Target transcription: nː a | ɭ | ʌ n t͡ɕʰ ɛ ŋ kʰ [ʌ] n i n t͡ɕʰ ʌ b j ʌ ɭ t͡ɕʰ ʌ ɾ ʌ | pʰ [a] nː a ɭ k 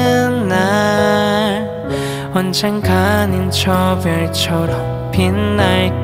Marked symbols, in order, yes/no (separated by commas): no, no